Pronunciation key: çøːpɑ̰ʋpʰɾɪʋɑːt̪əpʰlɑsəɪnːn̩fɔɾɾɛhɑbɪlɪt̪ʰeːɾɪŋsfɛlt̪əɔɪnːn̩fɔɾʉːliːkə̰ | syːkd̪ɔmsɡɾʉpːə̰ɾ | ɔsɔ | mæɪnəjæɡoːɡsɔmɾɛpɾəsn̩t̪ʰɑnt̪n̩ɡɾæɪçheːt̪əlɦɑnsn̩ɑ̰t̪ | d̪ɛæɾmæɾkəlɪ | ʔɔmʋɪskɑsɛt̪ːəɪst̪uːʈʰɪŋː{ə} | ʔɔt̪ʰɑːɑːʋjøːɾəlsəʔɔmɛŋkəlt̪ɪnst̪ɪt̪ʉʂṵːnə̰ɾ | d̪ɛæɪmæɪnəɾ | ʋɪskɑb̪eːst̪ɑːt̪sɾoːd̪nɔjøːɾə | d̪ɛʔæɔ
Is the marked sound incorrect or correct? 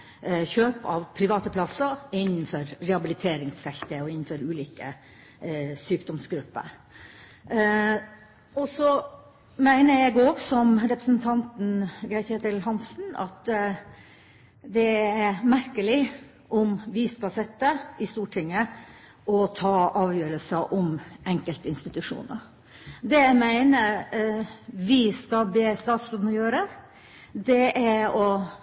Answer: correct